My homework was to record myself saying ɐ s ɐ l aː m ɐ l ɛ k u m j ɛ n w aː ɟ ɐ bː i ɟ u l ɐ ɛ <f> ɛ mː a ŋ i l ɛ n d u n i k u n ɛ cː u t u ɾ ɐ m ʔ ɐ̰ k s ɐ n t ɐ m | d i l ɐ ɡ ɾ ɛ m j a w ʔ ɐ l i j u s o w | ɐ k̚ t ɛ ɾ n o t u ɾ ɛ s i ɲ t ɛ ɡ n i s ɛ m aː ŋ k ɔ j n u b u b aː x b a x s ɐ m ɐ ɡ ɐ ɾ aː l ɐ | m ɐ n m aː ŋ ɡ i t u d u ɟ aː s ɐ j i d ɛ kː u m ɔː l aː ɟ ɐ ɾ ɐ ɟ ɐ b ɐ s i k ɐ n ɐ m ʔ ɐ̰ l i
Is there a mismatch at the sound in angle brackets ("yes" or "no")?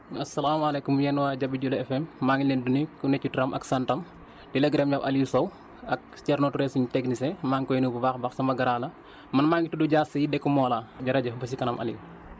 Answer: no